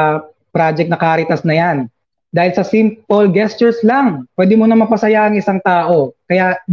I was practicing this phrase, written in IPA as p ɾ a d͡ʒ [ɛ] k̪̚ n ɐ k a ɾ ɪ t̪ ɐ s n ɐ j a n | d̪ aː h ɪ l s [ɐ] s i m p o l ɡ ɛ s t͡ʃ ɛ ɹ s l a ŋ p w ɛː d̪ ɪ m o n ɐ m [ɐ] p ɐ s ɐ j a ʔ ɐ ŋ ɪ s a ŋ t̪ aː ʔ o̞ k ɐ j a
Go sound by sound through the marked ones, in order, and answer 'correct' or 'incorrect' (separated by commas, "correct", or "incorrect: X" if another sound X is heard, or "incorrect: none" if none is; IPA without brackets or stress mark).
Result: correct, correct, correct